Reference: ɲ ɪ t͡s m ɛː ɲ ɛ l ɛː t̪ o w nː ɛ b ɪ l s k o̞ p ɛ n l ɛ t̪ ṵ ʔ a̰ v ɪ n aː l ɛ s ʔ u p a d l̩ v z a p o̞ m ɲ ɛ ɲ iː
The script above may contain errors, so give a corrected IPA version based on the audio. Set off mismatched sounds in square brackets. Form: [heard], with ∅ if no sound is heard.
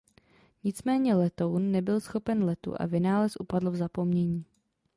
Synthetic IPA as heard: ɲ ɪ t͡s m ɛː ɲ ɛ l [ɛ] t̪ o w nː ɛ b ɪ l s [x] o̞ p ɛ n l ɛ t̪ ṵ ʔ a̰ v ɪ n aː l ɛ s ʔ u p a d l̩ v z a p o̞ m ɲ ɛ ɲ iː